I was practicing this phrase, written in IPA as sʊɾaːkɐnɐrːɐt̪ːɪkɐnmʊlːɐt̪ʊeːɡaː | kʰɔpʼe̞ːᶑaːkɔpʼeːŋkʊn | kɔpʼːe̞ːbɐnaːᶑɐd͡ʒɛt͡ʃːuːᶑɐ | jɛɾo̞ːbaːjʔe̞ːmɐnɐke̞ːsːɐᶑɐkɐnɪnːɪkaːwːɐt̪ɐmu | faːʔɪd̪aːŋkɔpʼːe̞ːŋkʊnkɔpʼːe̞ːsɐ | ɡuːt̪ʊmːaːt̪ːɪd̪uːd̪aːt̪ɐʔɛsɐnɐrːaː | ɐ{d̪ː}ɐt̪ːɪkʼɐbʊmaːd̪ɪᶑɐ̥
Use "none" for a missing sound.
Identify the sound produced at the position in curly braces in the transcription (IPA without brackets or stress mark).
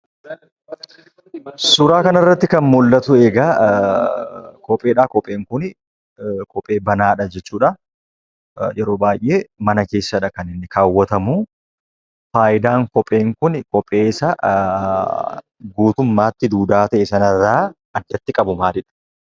d̪ː